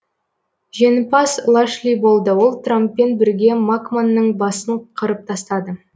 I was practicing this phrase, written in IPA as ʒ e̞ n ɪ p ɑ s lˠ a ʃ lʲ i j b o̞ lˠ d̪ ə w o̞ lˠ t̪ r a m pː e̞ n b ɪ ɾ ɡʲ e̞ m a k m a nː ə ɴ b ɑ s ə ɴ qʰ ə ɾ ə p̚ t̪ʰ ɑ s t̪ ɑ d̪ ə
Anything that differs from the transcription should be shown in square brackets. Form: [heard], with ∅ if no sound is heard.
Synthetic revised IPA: ʒ e̞ n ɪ p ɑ s lˠ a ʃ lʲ i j b o̞ lˠ d̪ ə w o̞ lˠ t̪ r a m pː e̞ n b ɪ ɾ ɡʲ e̞ m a k m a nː ə ɴ b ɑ s ə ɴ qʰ ə ɾ ə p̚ t̪ʰ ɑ s t̪ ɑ d̪ ə